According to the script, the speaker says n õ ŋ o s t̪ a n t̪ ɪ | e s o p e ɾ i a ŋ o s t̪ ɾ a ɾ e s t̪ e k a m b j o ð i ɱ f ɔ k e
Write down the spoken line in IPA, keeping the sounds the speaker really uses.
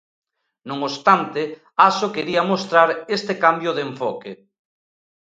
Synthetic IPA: n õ ŋ o s t̪ a n t̪ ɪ | a s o k e ɾ i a m o s t̪ ɾ a ɾ e s t̪ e k a m b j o ð e ɱ f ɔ k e